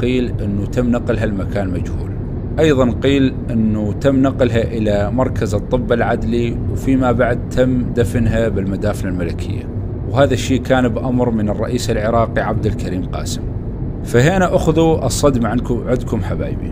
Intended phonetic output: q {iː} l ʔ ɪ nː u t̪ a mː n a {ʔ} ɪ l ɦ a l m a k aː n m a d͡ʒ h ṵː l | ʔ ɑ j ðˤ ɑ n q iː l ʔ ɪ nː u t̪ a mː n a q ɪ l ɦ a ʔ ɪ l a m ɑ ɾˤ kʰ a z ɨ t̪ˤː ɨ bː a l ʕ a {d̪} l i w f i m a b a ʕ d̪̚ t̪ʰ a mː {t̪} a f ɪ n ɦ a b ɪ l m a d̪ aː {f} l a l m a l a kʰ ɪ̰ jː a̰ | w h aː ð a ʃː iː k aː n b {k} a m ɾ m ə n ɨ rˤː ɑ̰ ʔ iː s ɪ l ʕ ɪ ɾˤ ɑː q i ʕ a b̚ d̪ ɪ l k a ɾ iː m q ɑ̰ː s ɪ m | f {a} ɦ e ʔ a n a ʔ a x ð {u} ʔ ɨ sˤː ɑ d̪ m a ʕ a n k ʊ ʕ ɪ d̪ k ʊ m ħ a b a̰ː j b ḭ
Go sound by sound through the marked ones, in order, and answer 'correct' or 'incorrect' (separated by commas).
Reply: correct, incorrect, correct, incorrect, correct, incorrect, correct, correct